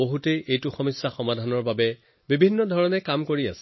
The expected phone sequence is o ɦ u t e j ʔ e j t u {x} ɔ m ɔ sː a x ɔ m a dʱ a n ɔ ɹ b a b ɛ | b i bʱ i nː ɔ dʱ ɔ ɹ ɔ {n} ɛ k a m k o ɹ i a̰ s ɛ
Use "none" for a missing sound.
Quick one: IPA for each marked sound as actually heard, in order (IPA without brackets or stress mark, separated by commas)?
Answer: x, n